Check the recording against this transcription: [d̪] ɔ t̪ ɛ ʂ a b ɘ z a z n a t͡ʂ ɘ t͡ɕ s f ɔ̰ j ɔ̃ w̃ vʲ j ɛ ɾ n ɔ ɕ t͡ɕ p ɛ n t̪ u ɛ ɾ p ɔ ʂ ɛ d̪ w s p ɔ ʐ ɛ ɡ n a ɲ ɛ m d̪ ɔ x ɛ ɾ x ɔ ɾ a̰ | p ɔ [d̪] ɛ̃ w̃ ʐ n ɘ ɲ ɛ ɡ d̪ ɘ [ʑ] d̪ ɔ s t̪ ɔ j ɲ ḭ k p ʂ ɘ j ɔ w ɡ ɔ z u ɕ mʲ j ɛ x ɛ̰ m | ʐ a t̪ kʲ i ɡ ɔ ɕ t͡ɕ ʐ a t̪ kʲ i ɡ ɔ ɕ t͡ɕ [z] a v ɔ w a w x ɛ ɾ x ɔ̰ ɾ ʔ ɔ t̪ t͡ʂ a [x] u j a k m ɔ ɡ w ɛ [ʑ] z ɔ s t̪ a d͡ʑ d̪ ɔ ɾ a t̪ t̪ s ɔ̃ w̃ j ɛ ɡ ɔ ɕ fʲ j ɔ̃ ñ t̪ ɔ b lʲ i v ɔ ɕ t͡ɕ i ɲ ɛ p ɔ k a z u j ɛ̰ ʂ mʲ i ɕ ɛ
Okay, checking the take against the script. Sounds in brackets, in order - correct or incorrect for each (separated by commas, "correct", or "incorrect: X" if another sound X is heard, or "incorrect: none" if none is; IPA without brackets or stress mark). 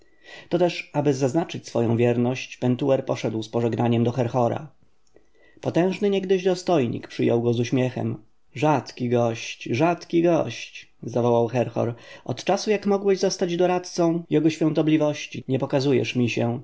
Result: incorrect: t̪, incorrect: t̪, correct, correct, incorrect: s, correct